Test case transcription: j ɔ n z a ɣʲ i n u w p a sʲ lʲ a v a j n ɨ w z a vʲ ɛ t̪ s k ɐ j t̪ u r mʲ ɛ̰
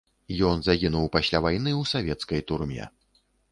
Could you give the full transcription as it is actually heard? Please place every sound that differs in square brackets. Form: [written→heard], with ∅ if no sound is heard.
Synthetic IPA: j ɔ n z a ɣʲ i n u w p a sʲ lʲ a v a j n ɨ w [z→s] a vʲ ɛ t̪ s k ɐ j t̪ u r mʲ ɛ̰